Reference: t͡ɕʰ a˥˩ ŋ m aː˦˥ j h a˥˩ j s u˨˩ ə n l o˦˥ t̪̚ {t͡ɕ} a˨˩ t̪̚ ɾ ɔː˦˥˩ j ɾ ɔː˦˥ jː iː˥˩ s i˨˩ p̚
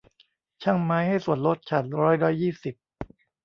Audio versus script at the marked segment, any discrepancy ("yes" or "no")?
yes